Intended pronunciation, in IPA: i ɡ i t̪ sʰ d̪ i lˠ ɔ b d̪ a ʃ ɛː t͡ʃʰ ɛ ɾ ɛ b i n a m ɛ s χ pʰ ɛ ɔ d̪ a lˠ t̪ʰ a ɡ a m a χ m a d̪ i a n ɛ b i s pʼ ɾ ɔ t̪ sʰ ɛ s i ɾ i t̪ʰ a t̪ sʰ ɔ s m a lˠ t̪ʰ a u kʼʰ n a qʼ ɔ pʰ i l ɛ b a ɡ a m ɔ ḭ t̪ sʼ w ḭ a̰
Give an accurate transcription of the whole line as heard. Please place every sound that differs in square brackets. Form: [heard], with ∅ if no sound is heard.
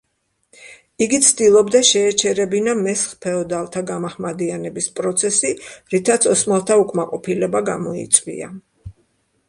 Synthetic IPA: i ɡ i t̪ sʰ d̪ i lˠ ɔ b d̪ a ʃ ɛː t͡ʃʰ ɛ ɾ ɛ b i n a m ɛ s χ pʰ ɛ ɔ d̪ a lˠ t̪ʰ a ɡ a m a χ m a d̪ i a n ɛ b i s pʼ ɾ ɔ t̪ sʰ ɛ s i ɾ i t̪ʰ a t̪ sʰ ɔ s m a lˠ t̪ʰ a u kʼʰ [m] a qʼ ɔ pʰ i l ɛ b a ɡ a m ɔ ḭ t̪ sʼ w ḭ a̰